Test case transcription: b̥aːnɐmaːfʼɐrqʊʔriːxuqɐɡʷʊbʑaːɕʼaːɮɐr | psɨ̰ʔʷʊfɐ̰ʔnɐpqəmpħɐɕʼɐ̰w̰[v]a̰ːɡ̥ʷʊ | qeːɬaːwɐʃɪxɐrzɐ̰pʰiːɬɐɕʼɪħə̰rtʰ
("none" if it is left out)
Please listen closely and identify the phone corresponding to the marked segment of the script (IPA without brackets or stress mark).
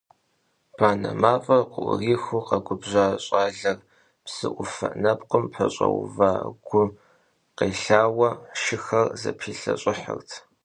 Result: v